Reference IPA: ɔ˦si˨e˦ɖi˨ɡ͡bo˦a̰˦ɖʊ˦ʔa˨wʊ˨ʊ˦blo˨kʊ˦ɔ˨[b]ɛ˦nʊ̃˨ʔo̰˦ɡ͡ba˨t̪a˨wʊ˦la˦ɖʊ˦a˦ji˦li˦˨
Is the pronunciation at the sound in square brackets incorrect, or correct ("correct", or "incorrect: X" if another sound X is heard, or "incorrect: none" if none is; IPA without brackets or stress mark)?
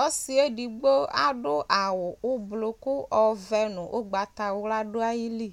incorrect: v